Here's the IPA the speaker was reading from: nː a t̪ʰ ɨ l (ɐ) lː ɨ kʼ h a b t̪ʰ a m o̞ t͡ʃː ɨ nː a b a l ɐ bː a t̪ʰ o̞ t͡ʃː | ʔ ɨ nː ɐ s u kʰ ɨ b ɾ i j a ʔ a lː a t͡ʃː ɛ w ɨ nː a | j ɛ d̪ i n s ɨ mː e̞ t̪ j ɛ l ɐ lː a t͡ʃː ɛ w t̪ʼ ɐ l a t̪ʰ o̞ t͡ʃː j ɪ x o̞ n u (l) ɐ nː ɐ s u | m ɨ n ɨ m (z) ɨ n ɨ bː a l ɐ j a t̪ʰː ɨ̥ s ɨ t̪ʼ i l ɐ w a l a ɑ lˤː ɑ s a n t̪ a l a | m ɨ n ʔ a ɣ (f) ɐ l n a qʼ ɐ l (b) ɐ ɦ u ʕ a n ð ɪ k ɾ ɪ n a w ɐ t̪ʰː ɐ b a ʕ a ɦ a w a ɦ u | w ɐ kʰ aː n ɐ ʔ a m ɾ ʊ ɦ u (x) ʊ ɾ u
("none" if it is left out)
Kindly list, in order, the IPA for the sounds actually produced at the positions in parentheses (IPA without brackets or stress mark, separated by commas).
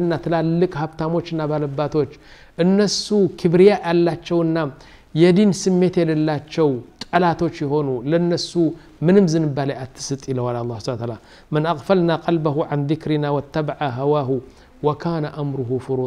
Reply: a, l, z, f, b, f